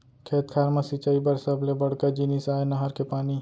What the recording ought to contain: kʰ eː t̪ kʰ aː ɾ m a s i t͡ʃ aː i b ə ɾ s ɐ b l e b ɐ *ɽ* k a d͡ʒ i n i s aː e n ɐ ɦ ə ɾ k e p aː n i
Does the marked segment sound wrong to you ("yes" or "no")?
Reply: no